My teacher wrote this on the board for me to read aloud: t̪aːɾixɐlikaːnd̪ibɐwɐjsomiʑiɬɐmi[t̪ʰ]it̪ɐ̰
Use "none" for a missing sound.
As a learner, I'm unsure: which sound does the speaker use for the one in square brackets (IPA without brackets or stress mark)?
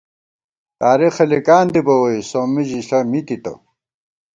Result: t̪